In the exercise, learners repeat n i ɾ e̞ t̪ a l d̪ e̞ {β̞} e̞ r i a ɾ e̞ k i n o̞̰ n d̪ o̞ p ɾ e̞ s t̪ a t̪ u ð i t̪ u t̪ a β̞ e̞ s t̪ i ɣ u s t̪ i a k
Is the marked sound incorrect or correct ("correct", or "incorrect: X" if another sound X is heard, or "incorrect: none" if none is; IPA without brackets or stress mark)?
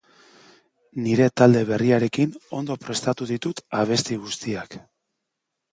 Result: correct